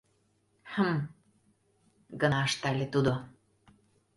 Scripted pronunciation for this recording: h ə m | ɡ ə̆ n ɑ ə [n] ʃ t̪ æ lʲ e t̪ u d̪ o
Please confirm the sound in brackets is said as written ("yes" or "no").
no